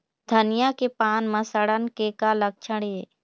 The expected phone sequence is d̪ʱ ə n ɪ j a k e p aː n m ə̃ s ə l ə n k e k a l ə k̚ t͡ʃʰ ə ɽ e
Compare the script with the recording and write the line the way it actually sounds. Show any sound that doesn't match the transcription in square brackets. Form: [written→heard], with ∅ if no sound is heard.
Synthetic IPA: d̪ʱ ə n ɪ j a k e p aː n m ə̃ s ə [l→ɽ] ə n k e k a l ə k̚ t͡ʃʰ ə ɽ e